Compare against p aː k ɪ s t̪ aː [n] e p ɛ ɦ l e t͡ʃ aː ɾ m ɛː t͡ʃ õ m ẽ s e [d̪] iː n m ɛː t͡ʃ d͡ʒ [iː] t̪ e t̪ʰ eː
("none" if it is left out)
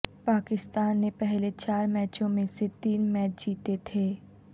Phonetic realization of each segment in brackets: nː, t̪, iː

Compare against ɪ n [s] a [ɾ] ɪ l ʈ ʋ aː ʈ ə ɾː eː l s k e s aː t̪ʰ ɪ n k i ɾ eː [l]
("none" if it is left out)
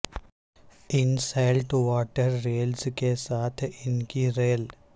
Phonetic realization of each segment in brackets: s, none, l

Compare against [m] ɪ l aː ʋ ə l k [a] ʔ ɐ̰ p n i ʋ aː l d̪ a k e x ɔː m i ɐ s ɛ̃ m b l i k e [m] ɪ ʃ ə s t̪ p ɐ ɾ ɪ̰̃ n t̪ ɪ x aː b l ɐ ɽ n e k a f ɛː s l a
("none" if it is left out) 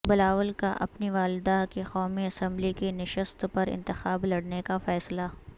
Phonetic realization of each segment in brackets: b, a, n

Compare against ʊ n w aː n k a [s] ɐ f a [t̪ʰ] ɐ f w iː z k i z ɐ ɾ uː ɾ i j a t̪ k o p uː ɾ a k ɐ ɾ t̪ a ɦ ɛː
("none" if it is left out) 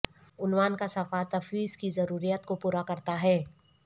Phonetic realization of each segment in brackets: s, t̪

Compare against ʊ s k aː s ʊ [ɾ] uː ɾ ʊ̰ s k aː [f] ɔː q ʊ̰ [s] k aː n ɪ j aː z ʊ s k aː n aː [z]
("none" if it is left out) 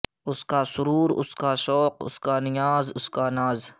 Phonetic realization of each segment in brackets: ɾ, ʃ, s, z

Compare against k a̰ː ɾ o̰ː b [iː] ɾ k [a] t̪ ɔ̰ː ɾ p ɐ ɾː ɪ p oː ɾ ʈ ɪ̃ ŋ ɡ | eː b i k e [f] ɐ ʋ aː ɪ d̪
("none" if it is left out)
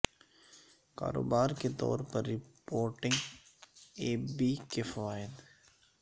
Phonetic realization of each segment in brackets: aː, e, f

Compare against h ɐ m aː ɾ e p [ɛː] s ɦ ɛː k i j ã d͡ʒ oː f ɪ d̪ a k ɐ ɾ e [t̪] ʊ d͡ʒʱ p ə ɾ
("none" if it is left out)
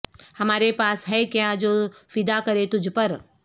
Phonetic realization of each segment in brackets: aː, t̪

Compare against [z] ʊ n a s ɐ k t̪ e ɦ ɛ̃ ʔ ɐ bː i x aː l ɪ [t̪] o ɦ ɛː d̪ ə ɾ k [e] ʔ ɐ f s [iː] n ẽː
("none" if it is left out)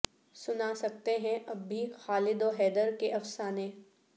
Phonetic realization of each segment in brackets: s, d̪, e, aː

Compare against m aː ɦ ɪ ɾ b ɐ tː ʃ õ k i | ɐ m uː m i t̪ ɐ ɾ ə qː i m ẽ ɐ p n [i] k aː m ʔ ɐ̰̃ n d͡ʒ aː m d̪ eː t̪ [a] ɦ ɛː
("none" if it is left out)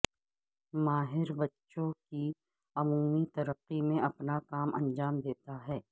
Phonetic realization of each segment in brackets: a, a

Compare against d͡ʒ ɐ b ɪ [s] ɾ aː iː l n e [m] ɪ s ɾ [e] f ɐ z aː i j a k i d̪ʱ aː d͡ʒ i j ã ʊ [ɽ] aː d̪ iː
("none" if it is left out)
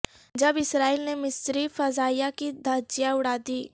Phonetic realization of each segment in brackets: s, m, i, ɽ

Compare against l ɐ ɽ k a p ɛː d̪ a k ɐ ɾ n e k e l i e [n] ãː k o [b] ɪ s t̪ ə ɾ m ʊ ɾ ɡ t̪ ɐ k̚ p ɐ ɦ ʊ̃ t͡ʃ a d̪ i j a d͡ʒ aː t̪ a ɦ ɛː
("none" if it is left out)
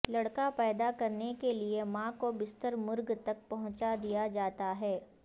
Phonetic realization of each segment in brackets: m, b

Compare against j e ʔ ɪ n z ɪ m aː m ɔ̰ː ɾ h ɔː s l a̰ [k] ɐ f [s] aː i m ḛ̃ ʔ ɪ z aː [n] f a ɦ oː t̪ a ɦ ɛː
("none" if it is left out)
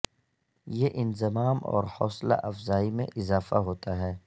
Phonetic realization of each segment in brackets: ʔ, z, none

